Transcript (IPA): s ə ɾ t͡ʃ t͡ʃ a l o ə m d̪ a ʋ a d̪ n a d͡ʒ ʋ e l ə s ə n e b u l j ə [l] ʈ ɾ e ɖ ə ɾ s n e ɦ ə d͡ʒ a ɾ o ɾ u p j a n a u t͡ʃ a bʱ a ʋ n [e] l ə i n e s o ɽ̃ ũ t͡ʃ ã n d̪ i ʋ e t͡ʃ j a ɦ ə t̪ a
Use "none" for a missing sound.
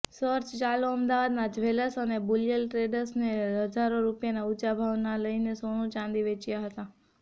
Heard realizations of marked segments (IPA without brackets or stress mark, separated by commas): l, a